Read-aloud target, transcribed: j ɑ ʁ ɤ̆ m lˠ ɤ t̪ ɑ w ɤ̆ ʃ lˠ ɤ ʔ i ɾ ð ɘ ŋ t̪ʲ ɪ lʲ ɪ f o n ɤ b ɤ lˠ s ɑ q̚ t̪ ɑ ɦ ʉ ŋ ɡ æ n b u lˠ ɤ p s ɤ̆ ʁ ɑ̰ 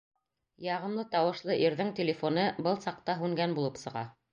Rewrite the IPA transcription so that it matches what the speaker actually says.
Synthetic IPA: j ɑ ʁ ɤ̆ m lˠ ɤ t̪ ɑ w ɤ̆ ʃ lˠ ɤ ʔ i ɾ ð ɘ ŋ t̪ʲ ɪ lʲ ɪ f o n ɤ b ɤ lˠ s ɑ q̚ t̪ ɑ ɦ ʉ ŋ ɡ æ n b u lˠ ɤ p s ɤ̆ ʁ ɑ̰

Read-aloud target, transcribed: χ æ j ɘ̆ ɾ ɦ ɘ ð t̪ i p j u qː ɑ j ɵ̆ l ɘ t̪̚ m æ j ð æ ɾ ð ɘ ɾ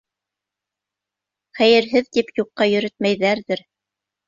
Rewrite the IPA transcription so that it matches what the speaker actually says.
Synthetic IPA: χ æ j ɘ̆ ɾ ɦ ɘ ð t̪ i p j u qː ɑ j ɵ̆ ɾ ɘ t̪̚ m æ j ð æ ɾ ð ɘ ɾ

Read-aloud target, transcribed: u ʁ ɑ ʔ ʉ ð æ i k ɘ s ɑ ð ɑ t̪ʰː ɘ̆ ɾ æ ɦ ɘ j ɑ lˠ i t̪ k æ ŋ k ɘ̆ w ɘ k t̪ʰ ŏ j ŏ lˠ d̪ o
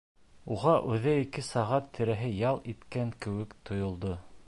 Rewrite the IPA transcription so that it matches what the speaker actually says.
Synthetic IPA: u ʁ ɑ ʔ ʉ ð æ i k ɘ s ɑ ʁ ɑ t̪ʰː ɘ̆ ɾ æ ɦ ɘ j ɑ lˠ i t̪ k æ ŋ k ɘ̆ w ɘ k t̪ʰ ŏ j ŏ lˠ d̪ o

